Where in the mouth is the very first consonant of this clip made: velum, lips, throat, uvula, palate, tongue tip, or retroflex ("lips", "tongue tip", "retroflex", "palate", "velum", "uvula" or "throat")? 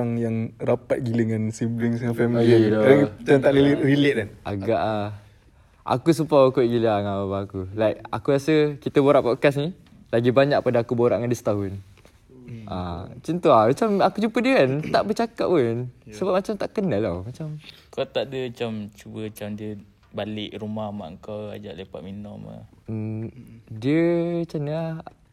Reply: velum